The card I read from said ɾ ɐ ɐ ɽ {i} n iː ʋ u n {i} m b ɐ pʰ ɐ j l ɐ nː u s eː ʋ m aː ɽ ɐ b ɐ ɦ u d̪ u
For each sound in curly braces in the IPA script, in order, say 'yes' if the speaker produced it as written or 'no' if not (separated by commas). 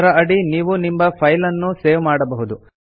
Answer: yes, yes